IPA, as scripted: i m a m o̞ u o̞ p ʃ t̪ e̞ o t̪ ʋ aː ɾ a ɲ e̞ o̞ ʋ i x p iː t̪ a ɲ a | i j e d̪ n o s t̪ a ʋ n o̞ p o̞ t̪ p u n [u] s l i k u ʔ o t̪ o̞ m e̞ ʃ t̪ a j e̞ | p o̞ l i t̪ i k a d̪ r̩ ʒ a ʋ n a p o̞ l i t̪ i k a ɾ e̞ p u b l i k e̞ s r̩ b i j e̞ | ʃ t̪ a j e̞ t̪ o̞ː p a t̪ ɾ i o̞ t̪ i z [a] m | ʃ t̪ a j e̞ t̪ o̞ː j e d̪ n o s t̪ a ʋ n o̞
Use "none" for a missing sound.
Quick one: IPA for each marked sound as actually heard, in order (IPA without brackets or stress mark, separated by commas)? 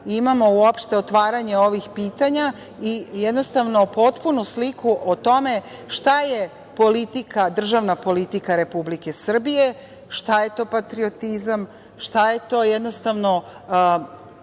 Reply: u, a